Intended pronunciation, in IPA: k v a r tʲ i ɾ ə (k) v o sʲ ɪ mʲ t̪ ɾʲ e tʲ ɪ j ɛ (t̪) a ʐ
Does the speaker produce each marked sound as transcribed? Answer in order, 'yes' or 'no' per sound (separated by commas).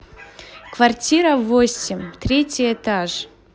no, yes